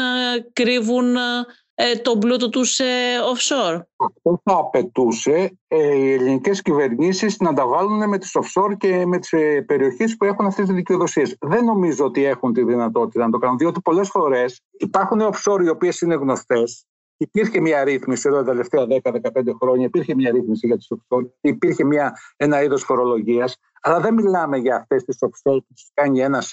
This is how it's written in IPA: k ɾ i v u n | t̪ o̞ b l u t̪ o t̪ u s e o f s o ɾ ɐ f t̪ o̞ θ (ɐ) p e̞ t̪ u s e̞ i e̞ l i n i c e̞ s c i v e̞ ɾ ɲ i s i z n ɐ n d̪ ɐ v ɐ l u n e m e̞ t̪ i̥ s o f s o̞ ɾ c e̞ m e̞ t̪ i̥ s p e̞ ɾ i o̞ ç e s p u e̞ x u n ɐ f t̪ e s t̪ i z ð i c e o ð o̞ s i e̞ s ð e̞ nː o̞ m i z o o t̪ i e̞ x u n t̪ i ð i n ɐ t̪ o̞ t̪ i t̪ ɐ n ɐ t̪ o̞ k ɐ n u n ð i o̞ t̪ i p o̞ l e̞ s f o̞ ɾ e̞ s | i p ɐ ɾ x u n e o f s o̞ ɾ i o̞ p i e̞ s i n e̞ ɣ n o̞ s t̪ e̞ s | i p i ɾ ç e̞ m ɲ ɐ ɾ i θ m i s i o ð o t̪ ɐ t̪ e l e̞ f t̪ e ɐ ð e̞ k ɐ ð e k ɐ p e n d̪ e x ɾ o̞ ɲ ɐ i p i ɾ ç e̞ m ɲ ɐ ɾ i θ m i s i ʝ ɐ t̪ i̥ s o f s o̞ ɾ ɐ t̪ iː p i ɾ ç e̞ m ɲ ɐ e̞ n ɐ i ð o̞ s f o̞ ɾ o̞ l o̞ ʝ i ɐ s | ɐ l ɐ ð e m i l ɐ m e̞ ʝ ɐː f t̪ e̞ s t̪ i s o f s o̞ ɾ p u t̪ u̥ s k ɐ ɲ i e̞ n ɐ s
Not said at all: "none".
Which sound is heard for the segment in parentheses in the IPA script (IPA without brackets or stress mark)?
ɐː